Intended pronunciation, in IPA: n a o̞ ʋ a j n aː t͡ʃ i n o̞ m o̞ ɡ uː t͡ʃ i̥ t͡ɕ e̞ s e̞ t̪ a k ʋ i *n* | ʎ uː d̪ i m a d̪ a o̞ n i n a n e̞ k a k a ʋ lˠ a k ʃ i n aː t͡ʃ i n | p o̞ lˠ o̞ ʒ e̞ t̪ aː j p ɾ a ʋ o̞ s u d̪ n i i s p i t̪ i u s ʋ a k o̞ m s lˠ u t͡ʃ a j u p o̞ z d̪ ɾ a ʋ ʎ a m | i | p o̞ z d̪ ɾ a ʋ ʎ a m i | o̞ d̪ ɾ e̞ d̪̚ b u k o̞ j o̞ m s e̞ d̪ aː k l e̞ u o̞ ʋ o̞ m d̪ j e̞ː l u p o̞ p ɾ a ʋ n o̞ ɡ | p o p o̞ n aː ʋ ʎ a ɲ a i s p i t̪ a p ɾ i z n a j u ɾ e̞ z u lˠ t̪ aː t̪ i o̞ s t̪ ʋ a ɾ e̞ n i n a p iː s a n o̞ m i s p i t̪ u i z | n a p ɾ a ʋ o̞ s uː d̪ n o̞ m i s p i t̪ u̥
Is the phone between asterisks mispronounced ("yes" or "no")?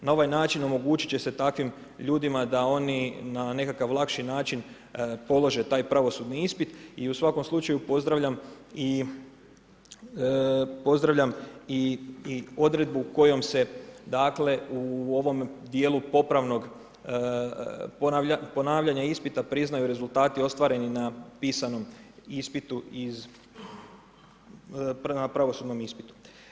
yes